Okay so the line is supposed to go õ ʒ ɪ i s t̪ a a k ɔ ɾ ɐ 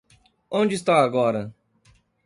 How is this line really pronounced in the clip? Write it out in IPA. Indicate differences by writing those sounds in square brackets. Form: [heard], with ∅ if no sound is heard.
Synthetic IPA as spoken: õ [d͡ʒ] ɪ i s t̪ a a [ɡ] ɔ ɾ ɐ